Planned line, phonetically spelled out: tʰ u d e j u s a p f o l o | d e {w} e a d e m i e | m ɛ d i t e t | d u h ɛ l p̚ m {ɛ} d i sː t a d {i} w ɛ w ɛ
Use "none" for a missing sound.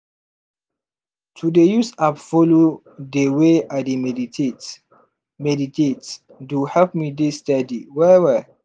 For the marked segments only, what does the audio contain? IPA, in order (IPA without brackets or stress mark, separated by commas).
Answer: w, i, i